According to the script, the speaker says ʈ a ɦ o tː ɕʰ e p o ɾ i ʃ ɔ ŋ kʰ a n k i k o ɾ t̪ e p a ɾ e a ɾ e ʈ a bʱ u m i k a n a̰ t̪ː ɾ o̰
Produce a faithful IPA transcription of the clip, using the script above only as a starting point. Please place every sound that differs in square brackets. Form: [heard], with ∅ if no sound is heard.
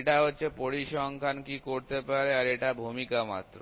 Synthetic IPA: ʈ a ɦ o tː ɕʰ e p o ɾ i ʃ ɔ ŋ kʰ a n k i k o ɾ t̪ e p a ɾ e a ɾ e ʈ a bʱ u m i k a [m] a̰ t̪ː ɾ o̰